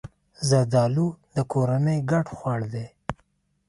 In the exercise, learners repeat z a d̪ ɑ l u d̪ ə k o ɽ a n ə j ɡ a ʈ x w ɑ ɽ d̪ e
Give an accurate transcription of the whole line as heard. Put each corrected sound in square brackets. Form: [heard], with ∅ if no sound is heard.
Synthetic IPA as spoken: z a d̪ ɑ l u d̪ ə k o [ɾ] a n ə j ɡ a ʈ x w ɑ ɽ d̪ e